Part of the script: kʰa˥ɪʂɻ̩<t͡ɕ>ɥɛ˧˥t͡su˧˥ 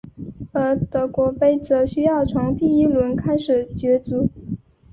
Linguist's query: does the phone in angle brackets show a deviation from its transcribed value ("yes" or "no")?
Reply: no